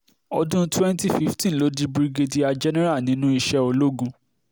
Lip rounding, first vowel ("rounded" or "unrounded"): rounded